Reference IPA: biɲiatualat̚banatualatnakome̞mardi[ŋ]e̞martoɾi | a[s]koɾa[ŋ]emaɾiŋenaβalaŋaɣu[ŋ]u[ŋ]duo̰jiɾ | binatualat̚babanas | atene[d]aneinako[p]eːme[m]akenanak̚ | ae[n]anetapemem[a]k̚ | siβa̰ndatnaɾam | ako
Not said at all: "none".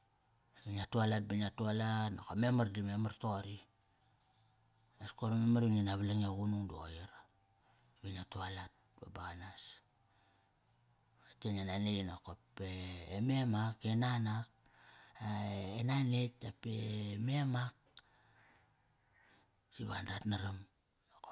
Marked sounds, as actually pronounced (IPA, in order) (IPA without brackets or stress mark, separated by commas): m, s, m, n, ŋ, n, p, m, n, a